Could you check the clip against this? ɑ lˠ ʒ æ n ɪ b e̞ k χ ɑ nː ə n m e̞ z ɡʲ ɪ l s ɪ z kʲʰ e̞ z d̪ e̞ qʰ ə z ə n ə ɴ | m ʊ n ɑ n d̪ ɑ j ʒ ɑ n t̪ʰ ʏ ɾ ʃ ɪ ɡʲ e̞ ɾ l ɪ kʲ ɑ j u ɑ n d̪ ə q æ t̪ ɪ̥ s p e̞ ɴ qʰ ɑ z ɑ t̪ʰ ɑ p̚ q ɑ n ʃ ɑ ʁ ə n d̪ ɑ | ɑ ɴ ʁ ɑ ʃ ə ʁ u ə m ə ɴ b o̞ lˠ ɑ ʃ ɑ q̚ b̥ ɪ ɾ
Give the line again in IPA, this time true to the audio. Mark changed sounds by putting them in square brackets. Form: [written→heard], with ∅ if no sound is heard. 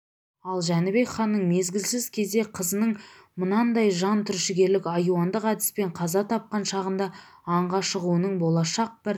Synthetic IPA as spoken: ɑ lˠ ʒ æ n ɪ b e̞ k χ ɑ nː ə [n→ɴ] m e̞ z ɡʲ ɪ l s ɪ z kʲʰ e̞ z d̪ e̞ qʰ ə z ə n ə ɴ | m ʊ n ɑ n d̪ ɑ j ʒ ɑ n t̪ʰ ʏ ɾ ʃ ɪ ɡʲ e̞ ɾ l ɪ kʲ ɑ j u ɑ n d̪ ə q æ [t̪→d̪] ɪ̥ s p e̞ ɴ qʰ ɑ z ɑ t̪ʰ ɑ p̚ q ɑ n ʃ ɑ ʁ ə n d̪ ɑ | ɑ ɴ ʁ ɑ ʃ ə ʁ u ə [m→n] ə ɴ b o̞ lˠ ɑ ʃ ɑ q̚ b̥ ɪ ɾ